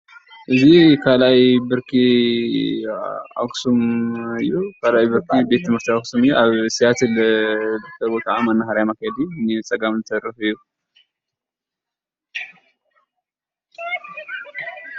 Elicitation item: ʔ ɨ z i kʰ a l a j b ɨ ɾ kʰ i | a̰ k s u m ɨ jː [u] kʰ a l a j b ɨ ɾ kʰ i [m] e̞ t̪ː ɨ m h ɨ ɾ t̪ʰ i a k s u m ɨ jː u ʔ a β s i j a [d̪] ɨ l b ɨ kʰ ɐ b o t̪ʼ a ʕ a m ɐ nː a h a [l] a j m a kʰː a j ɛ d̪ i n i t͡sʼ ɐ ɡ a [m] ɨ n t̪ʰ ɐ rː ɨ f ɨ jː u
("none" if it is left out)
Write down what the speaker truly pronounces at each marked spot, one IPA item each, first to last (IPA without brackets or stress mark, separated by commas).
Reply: u, b, t̪, ɾ, m